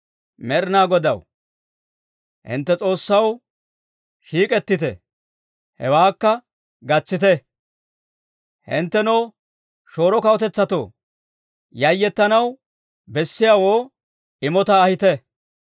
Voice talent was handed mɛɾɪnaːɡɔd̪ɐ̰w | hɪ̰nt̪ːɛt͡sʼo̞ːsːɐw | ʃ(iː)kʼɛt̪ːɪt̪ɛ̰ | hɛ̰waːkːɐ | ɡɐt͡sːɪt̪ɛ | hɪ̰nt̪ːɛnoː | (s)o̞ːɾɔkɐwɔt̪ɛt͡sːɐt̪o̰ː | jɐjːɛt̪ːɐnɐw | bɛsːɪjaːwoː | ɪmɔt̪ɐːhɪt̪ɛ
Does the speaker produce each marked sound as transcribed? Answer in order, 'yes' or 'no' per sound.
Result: yes, no

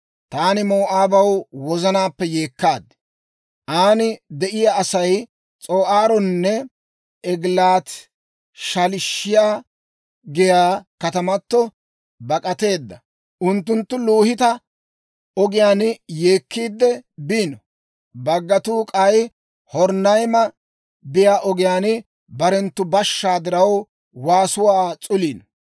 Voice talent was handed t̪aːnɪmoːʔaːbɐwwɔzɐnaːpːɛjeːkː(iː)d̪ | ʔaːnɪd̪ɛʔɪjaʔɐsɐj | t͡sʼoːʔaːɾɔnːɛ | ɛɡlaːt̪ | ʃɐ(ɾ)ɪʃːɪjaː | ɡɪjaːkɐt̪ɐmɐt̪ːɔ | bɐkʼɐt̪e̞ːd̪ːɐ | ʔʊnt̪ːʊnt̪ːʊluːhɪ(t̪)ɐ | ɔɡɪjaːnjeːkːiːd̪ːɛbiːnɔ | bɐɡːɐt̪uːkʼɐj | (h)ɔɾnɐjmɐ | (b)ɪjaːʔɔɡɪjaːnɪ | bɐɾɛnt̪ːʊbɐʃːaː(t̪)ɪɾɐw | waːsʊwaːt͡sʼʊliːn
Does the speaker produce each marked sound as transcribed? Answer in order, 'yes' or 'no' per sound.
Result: no, no, yes, yes, yes, no

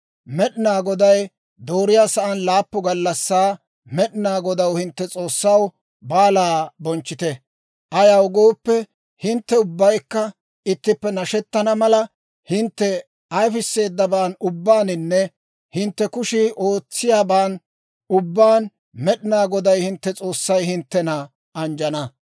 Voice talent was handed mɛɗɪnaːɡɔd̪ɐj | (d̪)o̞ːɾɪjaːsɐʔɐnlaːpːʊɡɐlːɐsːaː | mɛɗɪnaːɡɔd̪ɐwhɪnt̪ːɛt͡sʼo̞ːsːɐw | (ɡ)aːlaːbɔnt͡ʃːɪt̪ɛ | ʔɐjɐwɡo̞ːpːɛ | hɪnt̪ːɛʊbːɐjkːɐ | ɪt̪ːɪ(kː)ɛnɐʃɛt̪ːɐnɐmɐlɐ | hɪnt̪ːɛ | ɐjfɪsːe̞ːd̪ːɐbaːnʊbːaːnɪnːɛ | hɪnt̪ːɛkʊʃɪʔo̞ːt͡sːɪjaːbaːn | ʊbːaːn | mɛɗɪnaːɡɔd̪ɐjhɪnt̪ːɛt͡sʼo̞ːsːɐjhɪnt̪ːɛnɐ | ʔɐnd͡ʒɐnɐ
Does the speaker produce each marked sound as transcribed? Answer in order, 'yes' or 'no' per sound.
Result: yes, no, no

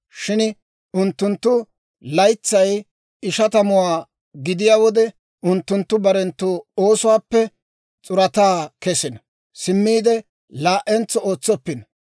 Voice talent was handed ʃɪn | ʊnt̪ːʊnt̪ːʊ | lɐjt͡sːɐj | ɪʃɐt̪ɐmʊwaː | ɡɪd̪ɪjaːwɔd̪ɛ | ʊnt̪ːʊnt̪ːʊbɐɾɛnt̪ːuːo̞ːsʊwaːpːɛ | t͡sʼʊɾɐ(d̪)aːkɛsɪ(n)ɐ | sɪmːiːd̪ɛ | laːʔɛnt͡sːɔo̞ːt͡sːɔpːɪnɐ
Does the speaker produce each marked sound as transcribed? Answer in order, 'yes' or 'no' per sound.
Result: no, yes

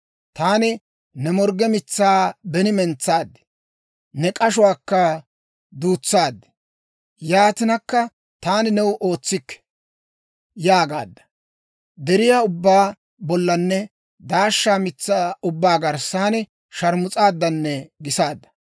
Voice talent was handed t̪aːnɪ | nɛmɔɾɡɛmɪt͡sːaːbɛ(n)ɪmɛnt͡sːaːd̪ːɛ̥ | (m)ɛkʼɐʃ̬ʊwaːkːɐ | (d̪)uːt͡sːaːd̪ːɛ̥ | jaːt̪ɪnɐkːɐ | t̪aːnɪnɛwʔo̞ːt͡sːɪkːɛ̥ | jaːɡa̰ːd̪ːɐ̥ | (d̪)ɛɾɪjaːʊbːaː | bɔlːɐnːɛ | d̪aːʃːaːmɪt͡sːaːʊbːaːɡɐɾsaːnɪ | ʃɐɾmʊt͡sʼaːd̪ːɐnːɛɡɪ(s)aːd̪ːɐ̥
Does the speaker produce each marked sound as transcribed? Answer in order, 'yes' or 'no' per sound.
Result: yes, no, yes, yes, yes

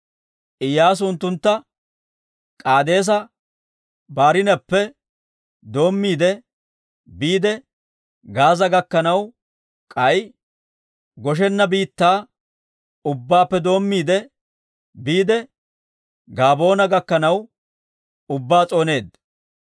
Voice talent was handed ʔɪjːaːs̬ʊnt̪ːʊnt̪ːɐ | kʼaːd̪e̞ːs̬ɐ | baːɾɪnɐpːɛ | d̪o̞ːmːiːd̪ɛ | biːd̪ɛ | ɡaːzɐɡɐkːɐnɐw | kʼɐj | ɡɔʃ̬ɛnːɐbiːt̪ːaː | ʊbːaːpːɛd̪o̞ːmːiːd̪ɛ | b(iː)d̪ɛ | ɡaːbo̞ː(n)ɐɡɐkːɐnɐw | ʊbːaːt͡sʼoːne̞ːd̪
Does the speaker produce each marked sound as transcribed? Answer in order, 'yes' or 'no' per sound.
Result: yes, yes

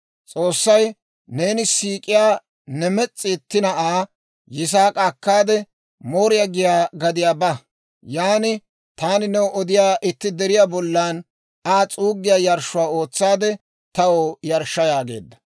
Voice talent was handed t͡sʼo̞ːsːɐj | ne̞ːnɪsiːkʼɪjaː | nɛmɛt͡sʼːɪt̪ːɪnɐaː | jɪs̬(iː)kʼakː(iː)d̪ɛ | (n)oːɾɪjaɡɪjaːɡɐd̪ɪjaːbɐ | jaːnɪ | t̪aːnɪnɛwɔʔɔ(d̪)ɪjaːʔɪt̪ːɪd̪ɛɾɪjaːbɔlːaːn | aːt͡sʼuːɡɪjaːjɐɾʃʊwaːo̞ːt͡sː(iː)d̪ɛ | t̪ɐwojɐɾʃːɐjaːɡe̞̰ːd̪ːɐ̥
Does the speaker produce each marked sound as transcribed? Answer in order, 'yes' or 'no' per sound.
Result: no, no, no, yes, no

